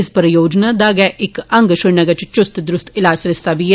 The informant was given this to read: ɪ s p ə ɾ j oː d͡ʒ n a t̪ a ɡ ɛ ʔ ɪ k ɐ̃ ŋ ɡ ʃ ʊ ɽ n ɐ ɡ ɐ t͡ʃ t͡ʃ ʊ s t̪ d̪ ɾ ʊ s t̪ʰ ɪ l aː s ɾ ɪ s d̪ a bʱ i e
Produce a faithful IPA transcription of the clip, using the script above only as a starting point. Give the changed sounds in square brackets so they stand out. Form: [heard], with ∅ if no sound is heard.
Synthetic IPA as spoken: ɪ s p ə ɾ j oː d͡ʒ n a [d̪] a ɡ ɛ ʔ ɪ k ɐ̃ ŋ ɡ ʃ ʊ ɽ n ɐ ɡ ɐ t͡ʃ t͡ʃ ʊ s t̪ d̪ ɾ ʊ s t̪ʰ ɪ l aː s ɾ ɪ s [t̪] a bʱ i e